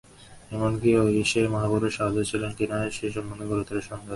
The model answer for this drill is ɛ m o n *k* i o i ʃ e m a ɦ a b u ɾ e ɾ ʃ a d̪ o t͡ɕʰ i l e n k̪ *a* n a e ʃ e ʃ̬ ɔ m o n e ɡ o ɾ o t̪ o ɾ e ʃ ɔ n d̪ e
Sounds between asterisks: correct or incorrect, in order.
correct, incorrect: i

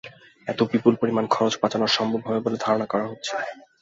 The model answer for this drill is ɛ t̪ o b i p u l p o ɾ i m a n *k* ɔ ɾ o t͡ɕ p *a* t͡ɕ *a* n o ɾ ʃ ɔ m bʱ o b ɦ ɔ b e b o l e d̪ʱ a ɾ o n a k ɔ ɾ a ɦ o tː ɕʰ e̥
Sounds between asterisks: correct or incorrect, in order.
incorrect: kʰ, correct, correct

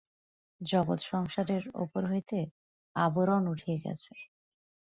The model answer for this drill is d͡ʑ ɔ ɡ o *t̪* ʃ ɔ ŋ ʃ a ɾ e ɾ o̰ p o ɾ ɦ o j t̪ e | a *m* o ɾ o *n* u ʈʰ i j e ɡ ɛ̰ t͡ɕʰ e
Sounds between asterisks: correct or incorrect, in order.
correct, incorrect: b, correct

